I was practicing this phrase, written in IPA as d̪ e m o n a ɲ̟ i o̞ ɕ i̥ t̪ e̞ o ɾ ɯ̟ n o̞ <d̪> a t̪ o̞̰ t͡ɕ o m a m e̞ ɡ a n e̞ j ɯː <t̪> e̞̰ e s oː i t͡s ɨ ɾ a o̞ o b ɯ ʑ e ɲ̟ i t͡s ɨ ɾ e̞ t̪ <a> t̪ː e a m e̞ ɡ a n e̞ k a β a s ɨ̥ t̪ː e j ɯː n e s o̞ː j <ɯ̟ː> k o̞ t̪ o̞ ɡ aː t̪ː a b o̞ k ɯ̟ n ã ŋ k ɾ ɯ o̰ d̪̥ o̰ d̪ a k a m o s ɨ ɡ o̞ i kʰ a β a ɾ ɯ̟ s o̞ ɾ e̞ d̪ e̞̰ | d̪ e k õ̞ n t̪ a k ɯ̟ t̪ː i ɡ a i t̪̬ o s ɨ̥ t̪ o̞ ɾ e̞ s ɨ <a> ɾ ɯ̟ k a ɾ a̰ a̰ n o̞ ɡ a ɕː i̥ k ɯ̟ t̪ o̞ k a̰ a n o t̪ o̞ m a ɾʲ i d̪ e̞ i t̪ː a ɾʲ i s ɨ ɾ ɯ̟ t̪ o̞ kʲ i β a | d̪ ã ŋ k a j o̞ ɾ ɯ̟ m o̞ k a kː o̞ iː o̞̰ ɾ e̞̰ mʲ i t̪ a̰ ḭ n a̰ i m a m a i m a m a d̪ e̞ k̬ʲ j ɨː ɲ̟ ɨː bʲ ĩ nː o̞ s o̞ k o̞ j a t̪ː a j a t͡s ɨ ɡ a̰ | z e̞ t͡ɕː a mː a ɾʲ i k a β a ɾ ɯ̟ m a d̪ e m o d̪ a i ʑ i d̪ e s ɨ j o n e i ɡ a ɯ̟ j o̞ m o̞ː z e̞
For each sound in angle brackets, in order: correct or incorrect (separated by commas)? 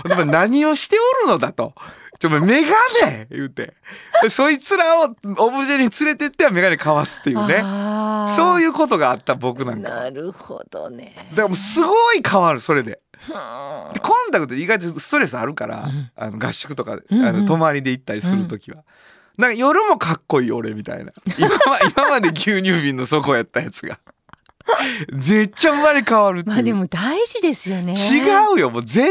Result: correct, correct, incorrect, correct, correct